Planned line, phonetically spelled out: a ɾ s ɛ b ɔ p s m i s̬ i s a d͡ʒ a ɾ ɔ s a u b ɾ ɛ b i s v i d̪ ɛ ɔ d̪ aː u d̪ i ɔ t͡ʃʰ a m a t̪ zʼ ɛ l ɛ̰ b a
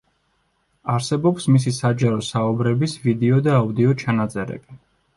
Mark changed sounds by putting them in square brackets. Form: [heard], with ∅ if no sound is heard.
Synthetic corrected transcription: a ɾ s ɛ b ɔ p s m i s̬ i s a d͡ʒ a ɾ ɔ s a u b ɾ ɛ b i s v i d̪ ɛ ɔ d̪ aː u d̪ i ɔ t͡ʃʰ a [n] a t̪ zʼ ɛ [ɾ] ɛ̰ b [i]